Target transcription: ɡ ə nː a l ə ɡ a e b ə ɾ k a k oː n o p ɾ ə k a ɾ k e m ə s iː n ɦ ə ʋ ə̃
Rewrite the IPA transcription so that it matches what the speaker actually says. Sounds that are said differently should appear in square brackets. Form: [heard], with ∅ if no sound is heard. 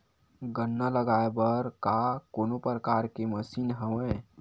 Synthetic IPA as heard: ɡ ə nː a l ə ɡ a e b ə ɾ k a k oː n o p ɾ ə k a ɾ k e m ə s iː n ɦ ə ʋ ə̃